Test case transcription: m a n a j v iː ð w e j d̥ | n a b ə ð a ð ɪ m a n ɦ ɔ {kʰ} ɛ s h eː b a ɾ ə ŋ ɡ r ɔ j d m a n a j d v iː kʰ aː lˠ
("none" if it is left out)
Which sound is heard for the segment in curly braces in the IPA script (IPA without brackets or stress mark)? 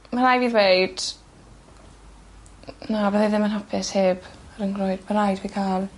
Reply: pʰ